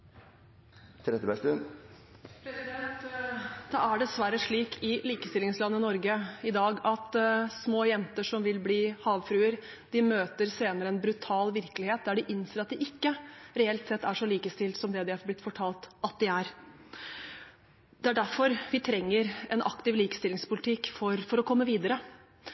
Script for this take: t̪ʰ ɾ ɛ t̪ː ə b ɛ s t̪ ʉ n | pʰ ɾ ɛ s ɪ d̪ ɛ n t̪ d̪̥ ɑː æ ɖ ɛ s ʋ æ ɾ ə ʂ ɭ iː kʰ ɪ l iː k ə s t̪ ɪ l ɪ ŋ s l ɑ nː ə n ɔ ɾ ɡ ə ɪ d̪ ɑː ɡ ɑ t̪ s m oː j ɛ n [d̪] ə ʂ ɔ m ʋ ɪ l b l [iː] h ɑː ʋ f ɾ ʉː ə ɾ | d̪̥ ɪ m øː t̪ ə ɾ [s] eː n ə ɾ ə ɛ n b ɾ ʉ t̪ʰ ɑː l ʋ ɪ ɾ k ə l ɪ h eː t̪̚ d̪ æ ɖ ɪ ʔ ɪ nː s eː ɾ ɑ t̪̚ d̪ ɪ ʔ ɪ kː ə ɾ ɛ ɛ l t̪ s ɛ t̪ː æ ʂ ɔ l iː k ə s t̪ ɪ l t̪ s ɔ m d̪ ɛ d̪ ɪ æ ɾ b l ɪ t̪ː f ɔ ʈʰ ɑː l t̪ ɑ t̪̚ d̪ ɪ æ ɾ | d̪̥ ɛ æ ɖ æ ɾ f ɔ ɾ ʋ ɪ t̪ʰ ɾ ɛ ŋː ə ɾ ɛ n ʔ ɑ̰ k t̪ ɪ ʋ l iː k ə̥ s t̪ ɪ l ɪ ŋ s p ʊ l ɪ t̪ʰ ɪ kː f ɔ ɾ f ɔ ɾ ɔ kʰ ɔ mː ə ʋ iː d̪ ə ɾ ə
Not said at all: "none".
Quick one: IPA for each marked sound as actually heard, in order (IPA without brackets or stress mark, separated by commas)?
t̪, iː, s